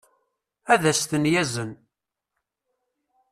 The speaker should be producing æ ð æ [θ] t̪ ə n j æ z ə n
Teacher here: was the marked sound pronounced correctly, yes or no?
no